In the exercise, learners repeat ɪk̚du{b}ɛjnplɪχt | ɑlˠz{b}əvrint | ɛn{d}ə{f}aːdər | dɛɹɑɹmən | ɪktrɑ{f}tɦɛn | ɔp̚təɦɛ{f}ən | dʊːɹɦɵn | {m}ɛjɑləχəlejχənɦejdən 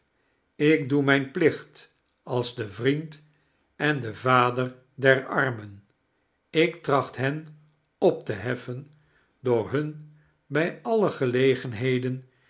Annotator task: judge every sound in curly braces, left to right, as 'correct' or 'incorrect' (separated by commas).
incorrect, incorrect, correct, incorrect, incorrect, correct, incorrect